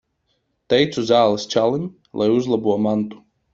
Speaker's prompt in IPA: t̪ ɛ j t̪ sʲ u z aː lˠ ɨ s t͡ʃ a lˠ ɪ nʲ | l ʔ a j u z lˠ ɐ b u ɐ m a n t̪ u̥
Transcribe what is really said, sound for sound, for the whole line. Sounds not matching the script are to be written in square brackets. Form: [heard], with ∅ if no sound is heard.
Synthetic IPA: t̪ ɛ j t̪ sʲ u z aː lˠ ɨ s t͡ʃ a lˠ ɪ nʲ | l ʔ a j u z lˠ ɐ b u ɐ m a n t̪ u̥